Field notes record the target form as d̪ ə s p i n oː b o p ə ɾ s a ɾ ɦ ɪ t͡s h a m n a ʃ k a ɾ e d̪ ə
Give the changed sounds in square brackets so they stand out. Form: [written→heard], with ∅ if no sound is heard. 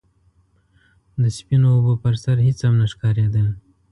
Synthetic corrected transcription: d̪ ə s p i n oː b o p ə ɾ s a ɾ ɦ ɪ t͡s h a m n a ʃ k [a→ɑ] ɾ e d̪ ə